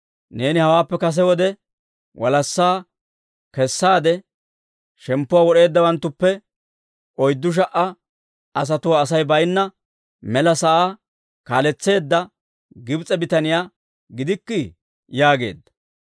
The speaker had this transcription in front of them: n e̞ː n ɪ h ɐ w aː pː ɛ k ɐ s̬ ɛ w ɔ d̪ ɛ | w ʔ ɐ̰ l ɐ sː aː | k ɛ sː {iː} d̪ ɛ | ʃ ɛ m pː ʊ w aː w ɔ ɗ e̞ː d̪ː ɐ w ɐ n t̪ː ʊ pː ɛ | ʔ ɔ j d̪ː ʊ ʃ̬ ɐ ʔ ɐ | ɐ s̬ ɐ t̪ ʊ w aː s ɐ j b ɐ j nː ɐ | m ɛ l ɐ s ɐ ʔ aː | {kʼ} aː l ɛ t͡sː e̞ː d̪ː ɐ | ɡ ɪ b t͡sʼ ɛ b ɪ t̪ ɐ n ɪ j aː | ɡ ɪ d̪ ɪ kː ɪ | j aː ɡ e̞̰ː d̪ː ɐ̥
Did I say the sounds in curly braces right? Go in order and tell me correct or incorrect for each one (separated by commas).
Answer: incorrect, incorrect